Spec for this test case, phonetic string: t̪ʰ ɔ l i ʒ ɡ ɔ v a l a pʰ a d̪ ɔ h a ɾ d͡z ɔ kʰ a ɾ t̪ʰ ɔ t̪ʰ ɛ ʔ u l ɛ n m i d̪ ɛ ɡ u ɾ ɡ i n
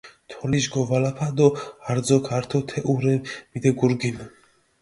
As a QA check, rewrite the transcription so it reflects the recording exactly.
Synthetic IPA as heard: t̪ʰ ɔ l i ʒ ɡ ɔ v a l a pʰ a d̪ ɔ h a ɾ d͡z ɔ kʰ a ɾ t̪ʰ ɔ t̪ʰ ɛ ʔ u ɾ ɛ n m i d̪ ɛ ɡ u ɾ ɡ i n

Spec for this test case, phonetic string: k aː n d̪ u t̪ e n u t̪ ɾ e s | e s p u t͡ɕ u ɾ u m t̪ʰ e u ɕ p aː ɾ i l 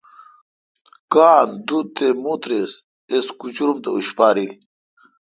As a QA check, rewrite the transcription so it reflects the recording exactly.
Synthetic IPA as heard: k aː n d̪ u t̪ e m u t̪ ɾ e s | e s k u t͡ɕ u ɾ u m t̪ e u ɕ p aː ɾ i l

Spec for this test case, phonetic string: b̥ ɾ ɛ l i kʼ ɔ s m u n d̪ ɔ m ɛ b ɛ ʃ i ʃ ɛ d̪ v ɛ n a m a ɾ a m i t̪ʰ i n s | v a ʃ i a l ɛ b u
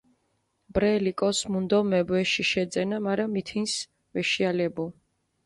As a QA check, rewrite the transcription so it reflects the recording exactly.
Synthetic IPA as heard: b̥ ɾ ɛ l i kʼ ɔ s m u n d̪ ɔ m ɛ b ɛ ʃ i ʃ ɛ d̪ z ɛ n a m a ɾ a m i t̪ʰ i n s | v ɛ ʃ i a l ɛ b u

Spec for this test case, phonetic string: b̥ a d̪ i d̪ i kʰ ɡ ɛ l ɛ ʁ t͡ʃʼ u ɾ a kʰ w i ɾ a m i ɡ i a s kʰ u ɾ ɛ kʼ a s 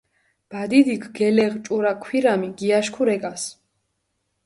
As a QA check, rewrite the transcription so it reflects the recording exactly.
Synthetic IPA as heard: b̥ a d̪ i d̪ i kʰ ɡ ɛ l ɛ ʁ t͡ʃʼ u ɾ a kʰ w i ɾ a m i ɡ i a ʃ kʰ u ɾ ɛ kʼ a s

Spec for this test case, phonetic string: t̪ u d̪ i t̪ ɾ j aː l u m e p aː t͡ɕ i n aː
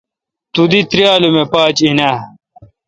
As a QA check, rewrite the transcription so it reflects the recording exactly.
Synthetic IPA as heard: t̪ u d̪ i t̪ ɾ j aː l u m e p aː t͡ɕ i n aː

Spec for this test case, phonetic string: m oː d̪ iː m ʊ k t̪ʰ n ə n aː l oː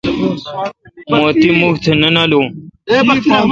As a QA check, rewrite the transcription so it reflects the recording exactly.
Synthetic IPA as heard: m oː t̪ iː m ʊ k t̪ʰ n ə n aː l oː

